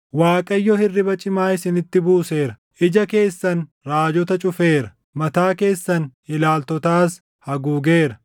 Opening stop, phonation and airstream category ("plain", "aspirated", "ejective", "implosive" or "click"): ejective